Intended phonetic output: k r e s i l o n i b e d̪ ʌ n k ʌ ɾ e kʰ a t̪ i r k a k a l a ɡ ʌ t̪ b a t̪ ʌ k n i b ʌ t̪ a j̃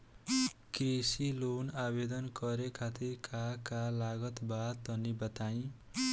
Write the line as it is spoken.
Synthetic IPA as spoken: k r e s i l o n a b e d̪ ʌ n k ʌ ɾ e kʰ a t̪ i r k a k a l a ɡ ʌ t̪ b a t̪ ʌ n i b ʌ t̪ a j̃